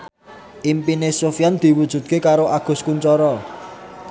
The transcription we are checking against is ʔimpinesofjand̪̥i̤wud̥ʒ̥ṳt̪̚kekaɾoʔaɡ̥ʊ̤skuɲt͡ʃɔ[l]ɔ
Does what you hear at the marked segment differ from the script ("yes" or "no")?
yes